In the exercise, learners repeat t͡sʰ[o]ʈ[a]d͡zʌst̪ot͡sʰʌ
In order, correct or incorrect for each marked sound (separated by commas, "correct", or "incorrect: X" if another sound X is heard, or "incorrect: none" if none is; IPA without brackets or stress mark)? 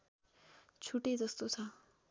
incorrect: u, incorrect: e